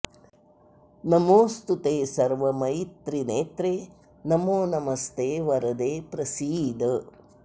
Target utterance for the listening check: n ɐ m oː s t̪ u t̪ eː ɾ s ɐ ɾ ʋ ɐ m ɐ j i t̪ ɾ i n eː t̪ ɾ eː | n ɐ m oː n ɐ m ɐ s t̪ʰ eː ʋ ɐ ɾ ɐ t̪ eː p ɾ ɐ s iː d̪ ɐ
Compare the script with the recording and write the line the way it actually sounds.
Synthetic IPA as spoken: n ɐ m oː s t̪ u t̪ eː s ɐ ɾ ʋ ɐ m ɐ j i t̪ ɾ i n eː t̪ ɾ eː | n ɐ m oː n ɐ m ɐ s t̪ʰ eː ʋ ɐ ɾ ɐ d̪ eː p ɾ ɐ s iː d̪ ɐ